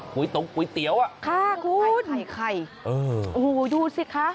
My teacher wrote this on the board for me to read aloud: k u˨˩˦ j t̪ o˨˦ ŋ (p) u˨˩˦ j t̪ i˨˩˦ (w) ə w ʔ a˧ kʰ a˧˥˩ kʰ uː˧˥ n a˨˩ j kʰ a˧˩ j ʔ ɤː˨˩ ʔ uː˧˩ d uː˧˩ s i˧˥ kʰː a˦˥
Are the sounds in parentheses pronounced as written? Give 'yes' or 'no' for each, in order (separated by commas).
no, no